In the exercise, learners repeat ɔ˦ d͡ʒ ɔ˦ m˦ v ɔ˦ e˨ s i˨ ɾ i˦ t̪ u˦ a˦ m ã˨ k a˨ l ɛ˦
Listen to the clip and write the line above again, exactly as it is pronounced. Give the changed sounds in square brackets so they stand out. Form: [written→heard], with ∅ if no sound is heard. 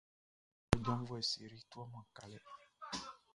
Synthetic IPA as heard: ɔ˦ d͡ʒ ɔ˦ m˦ v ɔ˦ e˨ s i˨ ɾ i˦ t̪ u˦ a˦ m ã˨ k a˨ l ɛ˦